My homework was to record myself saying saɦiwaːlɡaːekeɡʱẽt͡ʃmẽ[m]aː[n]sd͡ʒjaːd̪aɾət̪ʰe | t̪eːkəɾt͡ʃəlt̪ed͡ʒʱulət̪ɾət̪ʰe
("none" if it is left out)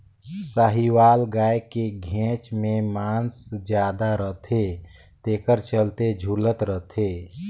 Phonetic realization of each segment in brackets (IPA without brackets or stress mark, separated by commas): m, n